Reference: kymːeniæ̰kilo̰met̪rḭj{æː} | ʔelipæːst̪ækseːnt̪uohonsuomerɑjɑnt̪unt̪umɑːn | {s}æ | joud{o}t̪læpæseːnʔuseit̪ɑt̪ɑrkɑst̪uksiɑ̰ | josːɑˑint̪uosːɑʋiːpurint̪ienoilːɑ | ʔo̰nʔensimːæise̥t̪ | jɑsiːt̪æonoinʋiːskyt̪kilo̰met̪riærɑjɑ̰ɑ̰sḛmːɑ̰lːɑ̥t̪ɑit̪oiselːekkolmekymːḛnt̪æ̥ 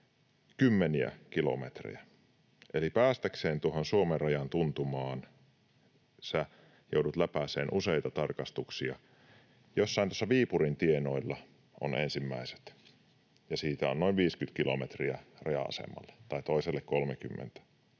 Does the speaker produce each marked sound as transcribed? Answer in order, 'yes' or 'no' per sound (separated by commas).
no, yes, no